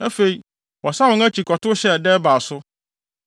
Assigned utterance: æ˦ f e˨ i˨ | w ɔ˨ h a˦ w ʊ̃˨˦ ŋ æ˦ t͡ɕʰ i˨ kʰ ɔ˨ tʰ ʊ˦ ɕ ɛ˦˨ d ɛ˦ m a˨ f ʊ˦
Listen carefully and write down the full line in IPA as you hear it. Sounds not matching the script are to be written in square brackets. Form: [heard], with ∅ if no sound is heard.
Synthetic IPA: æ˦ f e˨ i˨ | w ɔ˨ [s] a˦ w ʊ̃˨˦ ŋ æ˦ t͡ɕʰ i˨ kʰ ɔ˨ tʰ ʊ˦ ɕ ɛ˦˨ d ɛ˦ [b] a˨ [s] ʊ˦